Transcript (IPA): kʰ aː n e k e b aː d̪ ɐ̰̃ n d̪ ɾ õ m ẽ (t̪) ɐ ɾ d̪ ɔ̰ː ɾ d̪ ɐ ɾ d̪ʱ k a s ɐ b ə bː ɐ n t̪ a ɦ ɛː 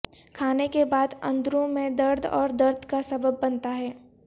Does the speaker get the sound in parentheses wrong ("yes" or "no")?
yes